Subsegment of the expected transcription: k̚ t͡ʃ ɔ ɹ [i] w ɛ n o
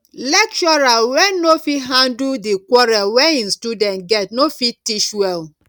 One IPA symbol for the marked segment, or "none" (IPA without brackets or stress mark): a